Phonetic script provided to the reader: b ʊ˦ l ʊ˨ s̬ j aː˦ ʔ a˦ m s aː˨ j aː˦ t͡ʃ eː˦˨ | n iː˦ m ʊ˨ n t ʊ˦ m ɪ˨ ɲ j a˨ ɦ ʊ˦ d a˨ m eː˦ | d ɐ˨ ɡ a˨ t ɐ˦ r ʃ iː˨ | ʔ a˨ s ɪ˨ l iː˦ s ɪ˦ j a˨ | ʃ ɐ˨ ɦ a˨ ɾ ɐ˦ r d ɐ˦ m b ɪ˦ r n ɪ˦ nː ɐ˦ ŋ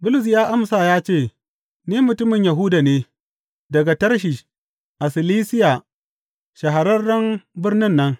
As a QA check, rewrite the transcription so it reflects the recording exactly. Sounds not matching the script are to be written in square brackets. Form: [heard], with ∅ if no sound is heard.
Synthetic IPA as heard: b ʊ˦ l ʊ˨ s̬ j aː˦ ʔ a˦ m s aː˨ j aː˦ t͡ʃ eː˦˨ | n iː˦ m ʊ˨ [∅] t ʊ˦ m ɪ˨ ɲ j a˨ ɦ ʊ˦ d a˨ [n] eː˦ | d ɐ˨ ɡ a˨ t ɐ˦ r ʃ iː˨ | ʔ a˨ s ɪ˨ l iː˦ s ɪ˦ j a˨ | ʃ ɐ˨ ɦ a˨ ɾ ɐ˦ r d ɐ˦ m b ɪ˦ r n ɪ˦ nː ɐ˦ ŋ